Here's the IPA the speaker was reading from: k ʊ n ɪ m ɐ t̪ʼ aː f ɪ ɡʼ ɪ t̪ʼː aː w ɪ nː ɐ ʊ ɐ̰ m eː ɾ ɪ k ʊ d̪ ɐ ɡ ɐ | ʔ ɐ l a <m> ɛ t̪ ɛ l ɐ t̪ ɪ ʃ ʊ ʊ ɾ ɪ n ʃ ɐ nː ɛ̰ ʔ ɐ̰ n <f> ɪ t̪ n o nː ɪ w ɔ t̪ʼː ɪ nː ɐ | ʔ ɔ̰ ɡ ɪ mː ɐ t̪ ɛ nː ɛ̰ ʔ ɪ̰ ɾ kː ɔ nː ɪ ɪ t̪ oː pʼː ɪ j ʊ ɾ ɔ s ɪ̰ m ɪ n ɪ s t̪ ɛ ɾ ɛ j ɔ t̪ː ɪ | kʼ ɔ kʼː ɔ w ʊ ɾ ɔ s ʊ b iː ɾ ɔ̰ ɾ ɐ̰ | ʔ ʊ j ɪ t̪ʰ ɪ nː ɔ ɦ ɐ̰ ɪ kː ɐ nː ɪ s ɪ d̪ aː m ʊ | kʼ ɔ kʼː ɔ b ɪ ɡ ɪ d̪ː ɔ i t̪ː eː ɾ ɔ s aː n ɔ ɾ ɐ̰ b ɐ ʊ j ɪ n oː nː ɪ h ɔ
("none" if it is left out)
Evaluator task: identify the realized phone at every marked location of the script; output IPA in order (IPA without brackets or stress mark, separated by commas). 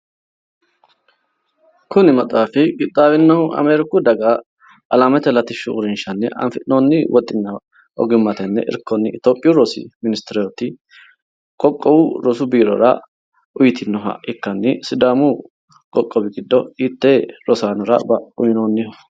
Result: m, f